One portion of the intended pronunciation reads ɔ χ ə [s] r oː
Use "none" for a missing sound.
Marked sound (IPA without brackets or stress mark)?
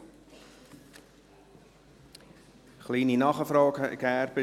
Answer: f